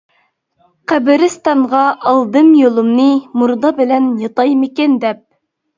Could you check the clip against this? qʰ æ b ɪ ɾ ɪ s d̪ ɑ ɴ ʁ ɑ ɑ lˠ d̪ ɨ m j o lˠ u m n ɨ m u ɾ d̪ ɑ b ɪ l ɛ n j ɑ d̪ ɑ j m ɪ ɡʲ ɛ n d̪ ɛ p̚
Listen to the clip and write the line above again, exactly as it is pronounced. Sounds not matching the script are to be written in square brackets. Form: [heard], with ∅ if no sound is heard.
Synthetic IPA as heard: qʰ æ b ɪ ɾ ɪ s [t̪] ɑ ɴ ʁ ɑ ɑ lˠ d̪ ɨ m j o lˠ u m n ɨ m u ɾ d̪ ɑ b ɪ l ɛ n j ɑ [t̪] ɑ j m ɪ [kʲ] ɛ n d̪ ɛ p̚

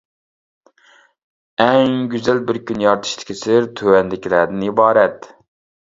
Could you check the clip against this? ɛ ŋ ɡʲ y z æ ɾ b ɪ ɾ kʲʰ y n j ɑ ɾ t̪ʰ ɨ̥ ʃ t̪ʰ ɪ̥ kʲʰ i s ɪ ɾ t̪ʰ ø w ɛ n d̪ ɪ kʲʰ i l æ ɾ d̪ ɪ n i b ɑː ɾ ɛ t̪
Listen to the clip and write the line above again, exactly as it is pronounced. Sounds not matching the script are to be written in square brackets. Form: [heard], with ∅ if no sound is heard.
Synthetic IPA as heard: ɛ ŋ ɡʲ y z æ [l] b ɪ ɾ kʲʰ y n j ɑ ɾ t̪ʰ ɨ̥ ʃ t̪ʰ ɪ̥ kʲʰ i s ɪ ɾ t̪ʰ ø w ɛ n d̪ ɪ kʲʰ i l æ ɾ d̪ ɪ n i b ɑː ɾ ɛ t̪

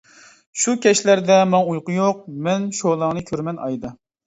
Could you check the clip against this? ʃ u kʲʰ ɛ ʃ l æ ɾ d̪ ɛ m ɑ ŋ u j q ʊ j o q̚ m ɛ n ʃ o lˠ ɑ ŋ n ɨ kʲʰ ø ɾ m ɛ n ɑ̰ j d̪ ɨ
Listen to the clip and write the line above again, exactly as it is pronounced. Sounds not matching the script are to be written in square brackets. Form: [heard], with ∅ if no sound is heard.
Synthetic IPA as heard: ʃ u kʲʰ ɛ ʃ l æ ɾ d̪ ɛ m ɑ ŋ u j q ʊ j o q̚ m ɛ n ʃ o lˠ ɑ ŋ n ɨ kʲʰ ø ɾ m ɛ n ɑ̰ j d̪ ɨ

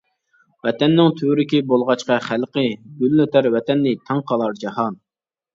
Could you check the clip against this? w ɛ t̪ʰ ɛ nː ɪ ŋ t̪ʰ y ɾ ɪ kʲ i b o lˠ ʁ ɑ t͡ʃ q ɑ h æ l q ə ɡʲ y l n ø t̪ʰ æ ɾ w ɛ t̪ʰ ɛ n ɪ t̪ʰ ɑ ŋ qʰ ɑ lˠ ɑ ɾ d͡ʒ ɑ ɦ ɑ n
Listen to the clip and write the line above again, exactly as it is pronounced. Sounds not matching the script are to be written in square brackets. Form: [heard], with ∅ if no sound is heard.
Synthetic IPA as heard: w ɛ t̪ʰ ɛ nː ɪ ŋ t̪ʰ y ɾ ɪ kʲ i b o lˠ ʁ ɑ t͡ʃ q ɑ [χ] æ l q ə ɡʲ y l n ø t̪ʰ æ ɾ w ɛ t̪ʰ ɛ [nː] ɪ t̪ʰ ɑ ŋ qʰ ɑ lˠ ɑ ɾ d͡ʒ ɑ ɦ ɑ n

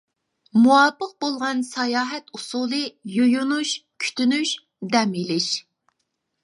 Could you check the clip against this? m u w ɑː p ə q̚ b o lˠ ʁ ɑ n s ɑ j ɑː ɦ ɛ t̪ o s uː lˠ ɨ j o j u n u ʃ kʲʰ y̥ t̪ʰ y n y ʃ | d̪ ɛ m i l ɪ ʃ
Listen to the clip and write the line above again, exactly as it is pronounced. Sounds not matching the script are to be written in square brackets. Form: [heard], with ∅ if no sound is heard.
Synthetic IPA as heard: m u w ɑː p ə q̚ b o lˠ ʁ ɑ n s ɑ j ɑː ɦ ɛ t̪ [u] s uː lˠ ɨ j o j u n u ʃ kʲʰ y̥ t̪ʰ y n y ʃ | d̪ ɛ m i l ɪ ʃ

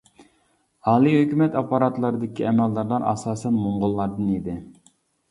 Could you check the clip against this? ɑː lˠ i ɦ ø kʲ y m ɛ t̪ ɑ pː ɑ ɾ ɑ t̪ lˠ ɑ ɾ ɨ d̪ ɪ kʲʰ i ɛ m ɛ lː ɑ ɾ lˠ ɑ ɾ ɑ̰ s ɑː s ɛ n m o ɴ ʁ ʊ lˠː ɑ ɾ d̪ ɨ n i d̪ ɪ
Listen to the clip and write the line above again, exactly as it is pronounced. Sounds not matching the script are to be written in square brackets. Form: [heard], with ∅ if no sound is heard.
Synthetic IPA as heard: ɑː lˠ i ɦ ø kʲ y m ɛ t̪ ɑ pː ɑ ɾ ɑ t̪ lˠ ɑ ɾ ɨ d̪ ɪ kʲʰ i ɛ m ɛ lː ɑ ɾ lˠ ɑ ɾ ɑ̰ s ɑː s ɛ n m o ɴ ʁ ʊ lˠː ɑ ɾ d̪ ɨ n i d̪ ɪ

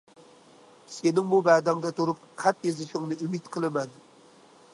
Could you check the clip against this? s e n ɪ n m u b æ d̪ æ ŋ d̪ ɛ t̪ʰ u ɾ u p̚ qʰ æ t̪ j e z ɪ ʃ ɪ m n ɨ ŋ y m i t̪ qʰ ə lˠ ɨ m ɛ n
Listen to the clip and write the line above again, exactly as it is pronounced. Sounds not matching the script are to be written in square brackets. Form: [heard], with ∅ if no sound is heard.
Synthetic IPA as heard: s e n ɪ [ŋ] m u b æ d̪ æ ŋ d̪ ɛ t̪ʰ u ɾ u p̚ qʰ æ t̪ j e z ɪ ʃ ɪ [ŋ] n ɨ [∅] y m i t̪ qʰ ə lˠ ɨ m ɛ n

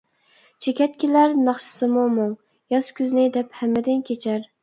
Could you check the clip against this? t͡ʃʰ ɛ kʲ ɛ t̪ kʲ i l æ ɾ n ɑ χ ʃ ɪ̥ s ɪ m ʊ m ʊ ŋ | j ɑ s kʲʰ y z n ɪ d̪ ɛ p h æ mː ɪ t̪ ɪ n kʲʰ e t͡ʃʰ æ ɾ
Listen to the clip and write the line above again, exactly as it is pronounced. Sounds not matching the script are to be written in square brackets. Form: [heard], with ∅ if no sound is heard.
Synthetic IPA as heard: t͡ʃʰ [e] kʲ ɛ t̪ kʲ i l æ ɾ n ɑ χ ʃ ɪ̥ s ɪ m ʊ m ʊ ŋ | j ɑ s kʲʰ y z n ɪ d̪ ɛ p h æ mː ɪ [d̪] ɪ n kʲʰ e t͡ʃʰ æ ɾ

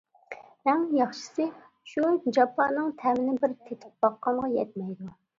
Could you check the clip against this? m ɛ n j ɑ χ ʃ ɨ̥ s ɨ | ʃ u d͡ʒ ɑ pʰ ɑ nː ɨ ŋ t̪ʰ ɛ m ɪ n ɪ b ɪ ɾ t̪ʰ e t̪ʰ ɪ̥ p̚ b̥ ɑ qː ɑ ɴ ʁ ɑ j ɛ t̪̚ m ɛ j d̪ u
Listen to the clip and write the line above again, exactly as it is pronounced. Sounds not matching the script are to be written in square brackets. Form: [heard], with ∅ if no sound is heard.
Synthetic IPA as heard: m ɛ [ŋ] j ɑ χ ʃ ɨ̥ s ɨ | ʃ u d͡ʒ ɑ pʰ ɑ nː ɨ ŋ t̪ʰ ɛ m ɪ n ɪ b ɪ ɾ t̪ʰ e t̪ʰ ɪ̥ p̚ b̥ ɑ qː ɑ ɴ ʁ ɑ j ɛ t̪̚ m ɛ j d̪ u

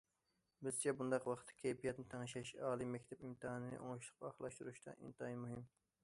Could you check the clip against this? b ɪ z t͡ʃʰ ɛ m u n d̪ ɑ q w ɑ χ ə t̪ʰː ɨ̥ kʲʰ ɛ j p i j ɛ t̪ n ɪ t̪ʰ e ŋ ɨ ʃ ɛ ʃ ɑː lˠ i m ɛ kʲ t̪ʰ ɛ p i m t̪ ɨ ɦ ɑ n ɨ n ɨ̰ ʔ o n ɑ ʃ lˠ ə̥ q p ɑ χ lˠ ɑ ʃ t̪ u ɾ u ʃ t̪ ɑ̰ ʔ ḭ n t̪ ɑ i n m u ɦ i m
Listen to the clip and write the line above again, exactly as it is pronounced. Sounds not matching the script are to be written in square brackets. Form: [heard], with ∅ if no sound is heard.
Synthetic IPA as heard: b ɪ z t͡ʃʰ ɛ [b] u n d̪ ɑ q w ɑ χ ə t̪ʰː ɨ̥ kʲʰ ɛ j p i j ɛ t̪ n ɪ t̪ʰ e ŋ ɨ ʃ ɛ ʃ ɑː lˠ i m ɛ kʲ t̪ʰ ɛ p i m t̪ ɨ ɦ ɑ n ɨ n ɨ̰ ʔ o [ŋ] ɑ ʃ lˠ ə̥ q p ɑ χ lˠ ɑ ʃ t̪ u ɾ u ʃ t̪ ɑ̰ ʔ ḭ n t̪ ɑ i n m u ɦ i m

